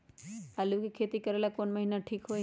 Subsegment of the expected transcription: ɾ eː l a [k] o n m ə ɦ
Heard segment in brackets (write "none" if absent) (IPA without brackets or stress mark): k